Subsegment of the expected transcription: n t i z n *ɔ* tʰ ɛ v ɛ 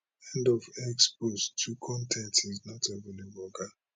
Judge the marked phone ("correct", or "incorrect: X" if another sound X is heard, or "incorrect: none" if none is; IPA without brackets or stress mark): correct